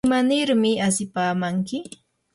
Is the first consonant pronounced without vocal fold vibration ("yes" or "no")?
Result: no